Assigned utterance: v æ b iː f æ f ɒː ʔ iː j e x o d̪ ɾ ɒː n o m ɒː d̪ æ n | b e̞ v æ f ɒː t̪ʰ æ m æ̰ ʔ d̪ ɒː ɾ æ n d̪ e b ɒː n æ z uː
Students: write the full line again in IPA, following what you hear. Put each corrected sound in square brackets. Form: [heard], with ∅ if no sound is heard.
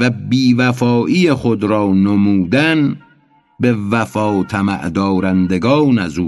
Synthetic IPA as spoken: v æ b iː [v] æ f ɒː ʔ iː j e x o d̪ ɾ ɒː n o m [uː] d̪ æ n | b e̞ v æ f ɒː t̪ʰ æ m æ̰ ʔ d̪ ɒː ɾ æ n d̪ e [ɡ] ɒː n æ z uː